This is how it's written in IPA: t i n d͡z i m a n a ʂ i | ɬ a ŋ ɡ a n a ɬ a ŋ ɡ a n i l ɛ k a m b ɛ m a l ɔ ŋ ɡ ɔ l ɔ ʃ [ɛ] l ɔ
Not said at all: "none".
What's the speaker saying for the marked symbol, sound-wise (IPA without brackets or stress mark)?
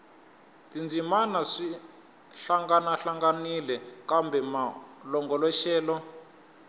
ɛː